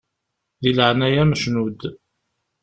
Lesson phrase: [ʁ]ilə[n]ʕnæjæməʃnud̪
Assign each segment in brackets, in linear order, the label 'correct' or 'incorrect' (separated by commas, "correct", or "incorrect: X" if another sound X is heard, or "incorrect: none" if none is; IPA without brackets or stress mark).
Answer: incorrect: ð, incorrect: none